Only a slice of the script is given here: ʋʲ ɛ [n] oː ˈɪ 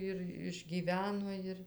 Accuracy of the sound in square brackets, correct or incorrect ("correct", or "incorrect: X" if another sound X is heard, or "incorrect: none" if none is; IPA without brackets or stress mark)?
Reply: correct